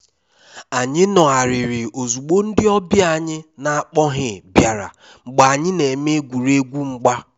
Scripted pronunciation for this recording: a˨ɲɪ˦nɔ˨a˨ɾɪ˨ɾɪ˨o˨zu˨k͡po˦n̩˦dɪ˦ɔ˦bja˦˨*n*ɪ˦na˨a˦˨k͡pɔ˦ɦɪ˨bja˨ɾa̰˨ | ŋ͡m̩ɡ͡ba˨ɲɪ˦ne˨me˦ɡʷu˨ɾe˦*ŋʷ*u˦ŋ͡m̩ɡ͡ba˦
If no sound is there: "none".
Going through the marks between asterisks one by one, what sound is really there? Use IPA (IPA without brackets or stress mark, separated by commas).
ɲ, ɡʷ